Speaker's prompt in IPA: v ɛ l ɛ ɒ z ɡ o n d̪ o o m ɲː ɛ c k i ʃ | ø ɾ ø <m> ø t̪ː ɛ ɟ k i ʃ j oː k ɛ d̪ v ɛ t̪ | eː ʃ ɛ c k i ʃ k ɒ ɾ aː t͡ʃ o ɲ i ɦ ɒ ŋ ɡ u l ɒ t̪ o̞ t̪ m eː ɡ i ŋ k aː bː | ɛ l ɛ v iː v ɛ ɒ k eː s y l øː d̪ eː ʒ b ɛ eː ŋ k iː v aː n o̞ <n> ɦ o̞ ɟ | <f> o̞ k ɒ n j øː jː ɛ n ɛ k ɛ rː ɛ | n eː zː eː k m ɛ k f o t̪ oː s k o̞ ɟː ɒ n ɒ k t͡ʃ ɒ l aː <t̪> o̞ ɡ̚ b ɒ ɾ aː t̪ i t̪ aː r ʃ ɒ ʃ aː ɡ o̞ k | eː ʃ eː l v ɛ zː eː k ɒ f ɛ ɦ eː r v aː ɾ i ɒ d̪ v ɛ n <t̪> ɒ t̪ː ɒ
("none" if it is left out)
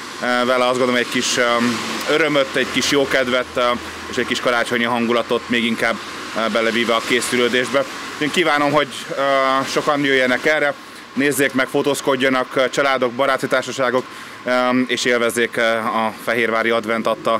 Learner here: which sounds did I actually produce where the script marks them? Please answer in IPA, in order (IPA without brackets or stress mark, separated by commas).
m, m, ʃ, d̪, t̪